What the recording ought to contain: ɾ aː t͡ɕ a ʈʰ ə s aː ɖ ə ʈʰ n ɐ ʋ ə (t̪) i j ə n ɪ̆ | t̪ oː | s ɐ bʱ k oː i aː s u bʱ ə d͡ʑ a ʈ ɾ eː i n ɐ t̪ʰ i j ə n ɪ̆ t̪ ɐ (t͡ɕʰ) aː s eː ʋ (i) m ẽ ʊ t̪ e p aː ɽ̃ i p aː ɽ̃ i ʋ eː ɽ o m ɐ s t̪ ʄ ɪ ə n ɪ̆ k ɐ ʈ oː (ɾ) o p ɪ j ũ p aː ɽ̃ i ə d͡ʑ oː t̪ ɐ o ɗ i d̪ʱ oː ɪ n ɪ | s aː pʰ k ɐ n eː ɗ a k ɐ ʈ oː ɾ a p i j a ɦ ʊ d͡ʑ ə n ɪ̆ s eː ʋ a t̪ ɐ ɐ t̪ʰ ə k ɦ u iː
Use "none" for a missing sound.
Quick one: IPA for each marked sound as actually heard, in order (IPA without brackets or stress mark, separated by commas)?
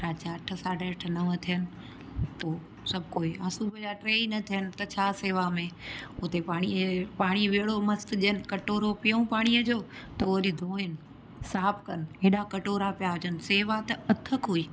t̪ʰ, t͡ɕʰ, a, ɾ